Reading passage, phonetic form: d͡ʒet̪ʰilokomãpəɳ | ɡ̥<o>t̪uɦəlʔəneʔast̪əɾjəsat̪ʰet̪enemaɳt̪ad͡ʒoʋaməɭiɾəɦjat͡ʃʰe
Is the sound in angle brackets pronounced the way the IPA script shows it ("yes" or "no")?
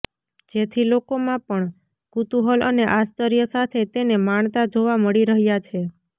no